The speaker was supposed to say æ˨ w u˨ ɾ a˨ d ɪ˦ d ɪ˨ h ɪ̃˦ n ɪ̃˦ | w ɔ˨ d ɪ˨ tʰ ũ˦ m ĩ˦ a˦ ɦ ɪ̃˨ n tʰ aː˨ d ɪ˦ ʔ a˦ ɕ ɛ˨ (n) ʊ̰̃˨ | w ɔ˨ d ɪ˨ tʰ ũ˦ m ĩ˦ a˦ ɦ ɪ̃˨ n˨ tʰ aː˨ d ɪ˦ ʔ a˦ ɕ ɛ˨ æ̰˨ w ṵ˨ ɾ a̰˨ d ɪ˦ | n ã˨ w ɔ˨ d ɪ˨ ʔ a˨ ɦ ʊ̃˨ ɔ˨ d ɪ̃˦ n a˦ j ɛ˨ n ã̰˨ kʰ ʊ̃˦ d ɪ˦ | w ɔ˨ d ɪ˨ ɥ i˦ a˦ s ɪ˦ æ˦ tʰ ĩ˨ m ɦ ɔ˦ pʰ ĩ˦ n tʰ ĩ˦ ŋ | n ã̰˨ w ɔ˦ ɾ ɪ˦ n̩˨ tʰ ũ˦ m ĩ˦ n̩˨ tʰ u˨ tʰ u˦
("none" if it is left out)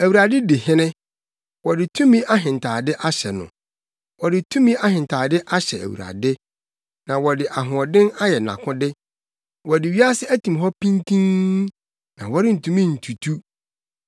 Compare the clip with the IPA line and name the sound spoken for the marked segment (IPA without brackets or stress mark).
n